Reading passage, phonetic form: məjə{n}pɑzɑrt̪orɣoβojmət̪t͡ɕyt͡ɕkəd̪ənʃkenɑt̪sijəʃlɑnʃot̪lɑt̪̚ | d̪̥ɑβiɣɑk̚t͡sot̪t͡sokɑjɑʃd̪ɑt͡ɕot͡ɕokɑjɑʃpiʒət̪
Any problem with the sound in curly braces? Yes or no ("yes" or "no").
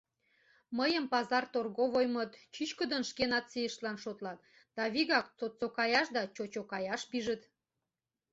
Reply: yes